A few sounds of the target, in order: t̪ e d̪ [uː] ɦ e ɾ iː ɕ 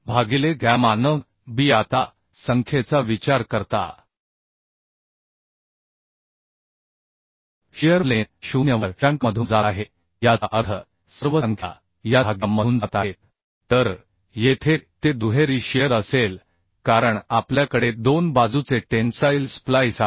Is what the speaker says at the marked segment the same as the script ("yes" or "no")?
no